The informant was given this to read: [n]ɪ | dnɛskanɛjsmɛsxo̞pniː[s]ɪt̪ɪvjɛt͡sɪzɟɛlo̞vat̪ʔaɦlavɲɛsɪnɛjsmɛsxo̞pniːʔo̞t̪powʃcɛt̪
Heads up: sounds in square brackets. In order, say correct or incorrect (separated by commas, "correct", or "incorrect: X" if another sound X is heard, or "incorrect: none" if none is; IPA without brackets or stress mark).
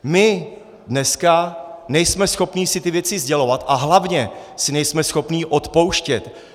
incorrect: m, correct